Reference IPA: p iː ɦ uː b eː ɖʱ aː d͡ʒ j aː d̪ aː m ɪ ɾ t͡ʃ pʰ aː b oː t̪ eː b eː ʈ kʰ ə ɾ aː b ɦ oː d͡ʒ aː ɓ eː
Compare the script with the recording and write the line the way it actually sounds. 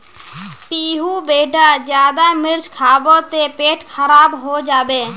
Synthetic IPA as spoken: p iː ɦ uː b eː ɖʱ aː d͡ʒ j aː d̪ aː m ɪ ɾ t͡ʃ kʰ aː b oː t̪ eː p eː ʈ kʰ ə ɾ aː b ɦ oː d͡ʒ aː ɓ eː